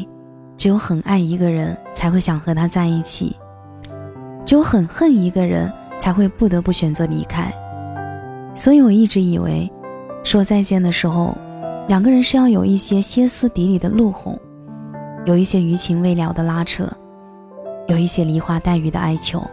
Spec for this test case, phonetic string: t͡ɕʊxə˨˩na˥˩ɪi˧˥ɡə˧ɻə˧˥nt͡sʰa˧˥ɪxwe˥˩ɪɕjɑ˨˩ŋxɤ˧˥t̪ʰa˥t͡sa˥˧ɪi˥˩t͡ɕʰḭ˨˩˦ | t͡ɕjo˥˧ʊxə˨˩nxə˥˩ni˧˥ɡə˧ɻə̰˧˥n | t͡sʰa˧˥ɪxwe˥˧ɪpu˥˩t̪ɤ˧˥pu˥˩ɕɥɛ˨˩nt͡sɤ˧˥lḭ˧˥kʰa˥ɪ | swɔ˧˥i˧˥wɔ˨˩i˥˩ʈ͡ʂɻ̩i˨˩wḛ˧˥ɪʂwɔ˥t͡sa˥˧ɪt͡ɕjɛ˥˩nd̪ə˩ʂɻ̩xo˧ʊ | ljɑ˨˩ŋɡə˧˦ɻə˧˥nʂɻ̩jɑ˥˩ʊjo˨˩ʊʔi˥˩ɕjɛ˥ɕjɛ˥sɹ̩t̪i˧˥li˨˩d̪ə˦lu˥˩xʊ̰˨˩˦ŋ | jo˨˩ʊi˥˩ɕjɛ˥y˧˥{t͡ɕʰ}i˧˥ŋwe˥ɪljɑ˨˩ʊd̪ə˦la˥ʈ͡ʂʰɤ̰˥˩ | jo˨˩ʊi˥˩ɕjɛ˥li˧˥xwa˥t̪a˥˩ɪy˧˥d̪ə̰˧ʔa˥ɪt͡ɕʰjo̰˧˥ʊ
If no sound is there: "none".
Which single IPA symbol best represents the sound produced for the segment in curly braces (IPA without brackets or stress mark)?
t͡ɕʰ